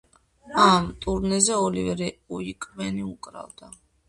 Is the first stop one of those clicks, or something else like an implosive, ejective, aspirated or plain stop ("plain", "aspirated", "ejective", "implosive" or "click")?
ejective